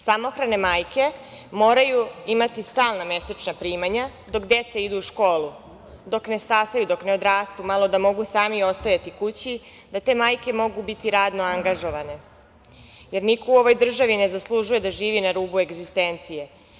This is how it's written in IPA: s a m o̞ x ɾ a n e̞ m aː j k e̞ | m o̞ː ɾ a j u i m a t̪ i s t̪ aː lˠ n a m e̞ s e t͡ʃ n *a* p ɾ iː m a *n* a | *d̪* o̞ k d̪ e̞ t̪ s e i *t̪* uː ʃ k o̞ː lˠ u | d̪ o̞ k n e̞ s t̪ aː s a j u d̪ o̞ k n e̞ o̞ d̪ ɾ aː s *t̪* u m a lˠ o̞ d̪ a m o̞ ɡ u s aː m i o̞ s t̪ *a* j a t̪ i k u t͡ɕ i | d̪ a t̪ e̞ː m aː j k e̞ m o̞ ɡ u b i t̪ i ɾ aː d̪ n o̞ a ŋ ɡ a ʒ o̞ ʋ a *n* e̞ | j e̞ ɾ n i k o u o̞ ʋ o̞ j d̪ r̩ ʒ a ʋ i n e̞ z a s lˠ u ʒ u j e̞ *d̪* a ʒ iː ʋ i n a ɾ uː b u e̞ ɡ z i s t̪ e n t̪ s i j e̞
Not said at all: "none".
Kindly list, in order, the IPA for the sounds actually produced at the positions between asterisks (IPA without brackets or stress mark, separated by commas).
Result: a, ɲ, d̪, d̪, t̪, a, n, d̪